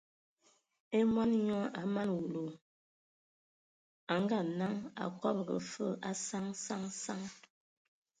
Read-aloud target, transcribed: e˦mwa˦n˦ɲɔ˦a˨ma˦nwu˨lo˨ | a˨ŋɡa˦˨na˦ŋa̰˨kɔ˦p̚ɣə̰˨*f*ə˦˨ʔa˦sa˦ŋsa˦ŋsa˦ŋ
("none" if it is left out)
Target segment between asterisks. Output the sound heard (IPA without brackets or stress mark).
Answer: f